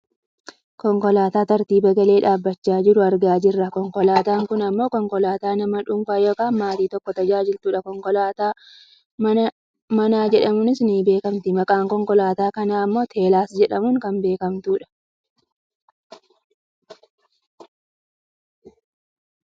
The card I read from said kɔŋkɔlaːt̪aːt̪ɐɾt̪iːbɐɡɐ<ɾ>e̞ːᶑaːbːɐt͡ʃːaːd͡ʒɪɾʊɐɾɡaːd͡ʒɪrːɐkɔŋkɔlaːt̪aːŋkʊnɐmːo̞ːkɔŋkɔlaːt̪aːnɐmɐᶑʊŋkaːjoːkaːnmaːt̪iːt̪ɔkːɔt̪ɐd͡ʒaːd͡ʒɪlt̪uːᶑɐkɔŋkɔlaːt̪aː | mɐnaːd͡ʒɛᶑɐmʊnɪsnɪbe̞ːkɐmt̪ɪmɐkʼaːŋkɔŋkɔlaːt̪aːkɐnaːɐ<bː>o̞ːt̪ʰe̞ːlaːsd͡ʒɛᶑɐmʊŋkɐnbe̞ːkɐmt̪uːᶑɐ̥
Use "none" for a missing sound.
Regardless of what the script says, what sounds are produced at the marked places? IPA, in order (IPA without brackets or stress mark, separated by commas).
l, mː